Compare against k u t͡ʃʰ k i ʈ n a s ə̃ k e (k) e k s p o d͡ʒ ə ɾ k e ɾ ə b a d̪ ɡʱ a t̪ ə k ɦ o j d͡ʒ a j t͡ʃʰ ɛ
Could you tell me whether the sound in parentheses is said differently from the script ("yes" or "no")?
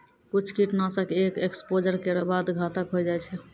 no